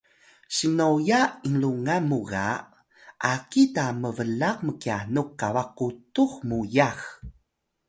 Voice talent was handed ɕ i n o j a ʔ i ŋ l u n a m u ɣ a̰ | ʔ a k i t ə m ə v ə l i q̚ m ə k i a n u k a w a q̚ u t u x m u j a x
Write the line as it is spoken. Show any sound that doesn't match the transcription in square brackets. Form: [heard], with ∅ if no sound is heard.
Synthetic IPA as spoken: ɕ i n o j a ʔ i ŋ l u [ŋ] a m u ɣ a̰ | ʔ a k i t [a] m ə v ə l [a] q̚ m ə k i a n u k a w a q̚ u t u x m u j a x